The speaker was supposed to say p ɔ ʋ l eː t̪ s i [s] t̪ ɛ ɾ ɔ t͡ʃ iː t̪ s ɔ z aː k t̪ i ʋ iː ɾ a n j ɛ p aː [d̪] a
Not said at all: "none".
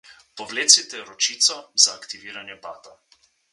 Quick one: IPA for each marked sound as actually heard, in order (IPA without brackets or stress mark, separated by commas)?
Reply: none, t̪